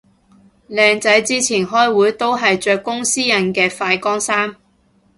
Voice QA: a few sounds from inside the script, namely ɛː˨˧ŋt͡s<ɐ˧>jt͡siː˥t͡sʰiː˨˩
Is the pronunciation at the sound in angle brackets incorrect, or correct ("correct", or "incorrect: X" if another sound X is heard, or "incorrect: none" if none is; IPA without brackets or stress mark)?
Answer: incorrect: ɐ˨˥